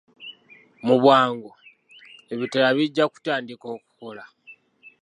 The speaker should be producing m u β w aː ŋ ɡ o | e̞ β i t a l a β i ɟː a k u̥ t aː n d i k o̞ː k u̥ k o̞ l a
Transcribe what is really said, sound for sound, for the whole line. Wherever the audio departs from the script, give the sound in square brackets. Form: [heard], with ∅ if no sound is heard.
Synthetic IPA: m u β w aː ŋ ɡ o | e̞ β i t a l a β i ɟː a k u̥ t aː n d i k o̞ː k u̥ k o̞ l a